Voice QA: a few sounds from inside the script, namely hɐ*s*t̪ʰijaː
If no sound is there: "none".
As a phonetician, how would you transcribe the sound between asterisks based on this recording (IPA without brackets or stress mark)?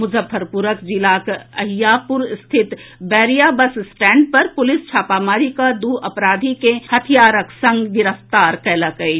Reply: none